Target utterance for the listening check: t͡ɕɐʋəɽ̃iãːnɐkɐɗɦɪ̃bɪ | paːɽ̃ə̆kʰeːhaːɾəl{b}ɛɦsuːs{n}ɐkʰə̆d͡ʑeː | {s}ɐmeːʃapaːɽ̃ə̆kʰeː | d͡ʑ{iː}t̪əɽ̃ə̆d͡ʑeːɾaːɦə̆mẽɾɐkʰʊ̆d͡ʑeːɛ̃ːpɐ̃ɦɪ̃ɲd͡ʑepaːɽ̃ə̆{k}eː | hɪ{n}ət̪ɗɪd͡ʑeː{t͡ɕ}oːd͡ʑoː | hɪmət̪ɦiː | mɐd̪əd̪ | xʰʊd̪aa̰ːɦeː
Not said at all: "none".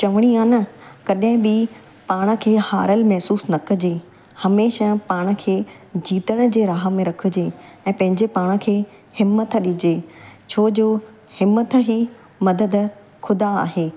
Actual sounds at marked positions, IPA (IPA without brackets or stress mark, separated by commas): m, n, h, iː, kʰ, m, t͡ɕʰ